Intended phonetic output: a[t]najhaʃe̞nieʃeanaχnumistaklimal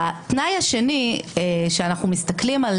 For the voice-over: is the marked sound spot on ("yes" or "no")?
yes